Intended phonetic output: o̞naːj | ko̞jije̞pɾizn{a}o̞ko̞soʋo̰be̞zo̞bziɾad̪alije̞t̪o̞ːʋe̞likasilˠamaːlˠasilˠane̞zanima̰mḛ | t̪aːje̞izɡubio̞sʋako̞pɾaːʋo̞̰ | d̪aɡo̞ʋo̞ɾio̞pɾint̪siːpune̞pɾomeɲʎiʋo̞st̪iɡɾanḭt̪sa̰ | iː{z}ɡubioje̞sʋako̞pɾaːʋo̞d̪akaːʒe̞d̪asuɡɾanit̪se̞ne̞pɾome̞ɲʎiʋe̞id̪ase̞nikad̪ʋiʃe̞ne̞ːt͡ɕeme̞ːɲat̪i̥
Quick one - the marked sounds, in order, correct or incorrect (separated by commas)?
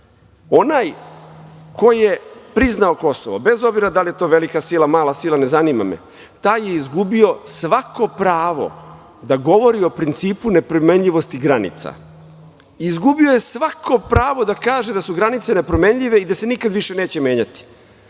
correct, correct